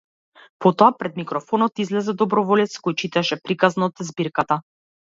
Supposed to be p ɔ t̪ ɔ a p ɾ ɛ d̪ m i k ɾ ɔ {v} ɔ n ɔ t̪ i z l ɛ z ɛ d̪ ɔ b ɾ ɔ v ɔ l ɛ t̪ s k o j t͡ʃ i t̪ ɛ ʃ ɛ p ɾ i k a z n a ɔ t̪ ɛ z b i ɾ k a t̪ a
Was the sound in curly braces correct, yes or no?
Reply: no